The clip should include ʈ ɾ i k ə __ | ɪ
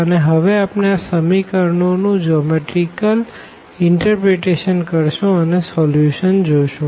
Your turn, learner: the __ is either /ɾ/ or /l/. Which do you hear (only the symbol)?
l